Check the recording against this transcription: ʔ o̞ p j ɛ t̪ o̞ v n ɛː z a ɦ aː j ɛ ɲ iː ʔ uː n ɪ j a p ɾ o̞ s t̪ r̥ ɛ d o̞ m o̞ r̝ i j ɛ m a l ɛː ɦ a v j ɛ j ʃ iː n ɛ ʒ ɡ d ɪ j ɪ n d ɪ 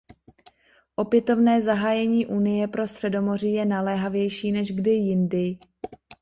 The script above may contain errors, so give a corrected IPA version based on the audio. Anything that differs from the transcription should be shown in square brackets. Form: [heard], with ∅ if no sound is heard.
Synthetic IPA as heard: ʔ o̞ p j ɛ t̪ o̞ v n ɛː z a ɦ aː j ɛ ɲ iː ʔ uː n ɪ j [ɛ] p ɾ o̞ s t̪ r̥ ɛ d o̞ m o̞ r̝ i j ɛ [n] a l ɛː ɦ a v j ɛ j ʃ iː n ɛ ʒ ɡ d ɪ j ɪ n d ɪ